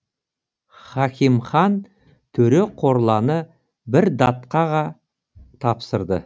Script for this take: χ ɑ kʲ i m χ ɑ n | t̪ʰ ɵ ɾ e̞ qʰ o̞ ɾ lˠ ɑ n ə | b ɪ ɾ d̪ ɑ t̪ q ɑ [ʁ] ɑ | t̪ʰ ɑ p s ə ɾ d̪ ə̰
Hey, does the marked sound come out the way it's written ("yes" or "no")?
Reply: yes